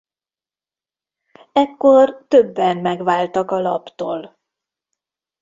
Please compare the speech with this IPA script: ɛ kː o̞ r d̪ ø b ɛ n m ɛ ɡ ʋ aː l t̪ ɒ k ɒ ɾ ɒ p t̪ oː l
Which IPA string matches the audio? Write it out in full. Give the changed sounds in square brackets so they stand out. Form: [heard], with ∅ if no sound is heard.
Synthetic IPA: ɛ kː o̞ r [t̪] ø [bː] ɛ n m ɛ ɡ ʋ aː l t̪ ɒ k ɒ [l] ɒ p t̪ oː l